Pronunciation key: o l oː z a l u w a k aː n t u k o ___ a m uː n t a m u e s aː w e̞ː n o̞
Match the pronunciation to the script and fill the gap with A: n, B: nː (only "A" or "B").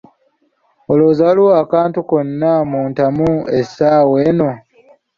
B